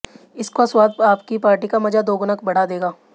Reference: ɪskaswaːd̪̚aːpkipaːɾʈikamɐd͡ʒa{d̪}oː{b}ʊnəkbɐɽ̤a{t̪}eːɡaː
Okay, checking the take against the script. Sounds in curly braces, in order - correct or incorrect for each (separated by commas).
correct, incorrect, incorrect